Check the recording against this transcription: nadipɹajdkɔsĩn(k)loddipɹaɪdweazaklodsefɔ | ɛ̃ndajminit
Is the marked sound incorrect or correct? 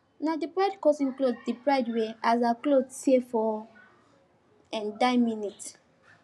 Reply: correct